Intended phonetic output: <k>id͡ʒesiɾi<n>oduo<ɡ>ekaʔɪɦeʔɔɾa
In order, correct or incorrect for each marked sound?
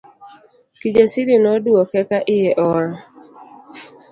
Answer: correct, correct, incorrect: k

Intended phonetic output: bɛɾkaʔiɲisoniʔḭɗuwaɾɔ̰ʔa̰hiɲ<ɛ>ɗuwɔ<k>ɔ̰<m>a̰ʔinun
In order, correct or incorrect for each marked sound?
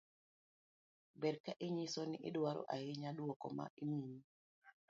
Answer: incorrect: a, correct, correct

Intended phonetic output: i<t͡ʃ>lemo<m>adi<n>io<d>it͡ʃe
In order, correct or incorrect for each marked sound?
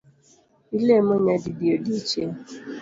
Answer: incorrect: none, incorrect: ɲ, incorrect: d, correct

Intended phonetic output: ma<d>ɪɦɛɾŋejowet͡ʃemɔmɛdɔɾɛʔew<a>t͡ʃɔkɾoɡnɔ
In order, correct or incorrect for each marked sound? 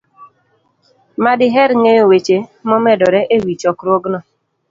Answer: correct, incorrect: i

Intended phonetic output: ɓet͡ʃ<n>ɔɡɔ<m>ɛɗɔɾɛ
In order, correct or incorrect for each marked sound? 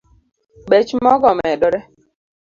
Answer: incorrect: m, correct

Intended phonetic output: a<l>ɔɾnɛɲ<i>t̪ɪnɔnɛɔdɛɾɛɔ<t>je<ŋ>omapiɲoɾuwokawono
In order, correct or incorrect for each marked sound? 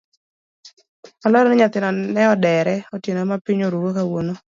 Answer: correct, incorrect: a, correct, incorrect: n

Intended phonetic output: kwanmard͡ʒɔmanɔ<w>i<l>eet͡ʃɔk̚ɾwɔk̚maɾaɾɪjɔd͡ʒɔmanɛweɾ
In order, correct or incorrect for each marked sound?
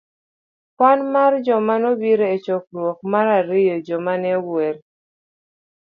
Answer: incorrect: b, incorrect: ɾ

